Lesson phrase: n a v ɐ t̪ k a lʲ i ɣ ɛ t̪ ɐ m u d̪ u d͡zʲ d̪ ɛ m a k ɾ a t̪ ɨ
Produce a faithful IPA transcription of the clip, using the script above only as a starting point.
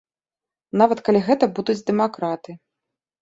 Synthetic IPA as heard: n a v ɐ t̪ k a lʲ i ɣ ɛ t̪ ɐ b u d̪ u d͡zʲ d̪ ɛ m a k ɾ a t̪ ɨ